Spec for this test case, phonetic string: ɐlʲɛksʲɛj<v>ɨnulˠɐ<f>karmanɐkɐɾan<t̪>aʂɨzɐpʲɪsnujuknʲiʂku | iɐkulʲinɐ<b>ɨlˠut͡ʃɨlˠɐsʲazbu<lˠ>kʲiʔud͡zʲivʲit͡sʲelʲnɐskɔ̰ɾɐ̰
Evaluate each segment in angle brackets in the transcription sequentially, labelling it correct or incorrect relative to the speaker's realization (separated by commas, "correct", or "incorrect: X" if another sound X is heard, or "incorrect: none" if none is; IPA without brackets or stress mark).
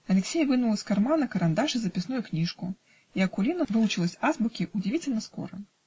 correct, incorrect: s, incorrect: d̪, incorrect: v, incorrect: none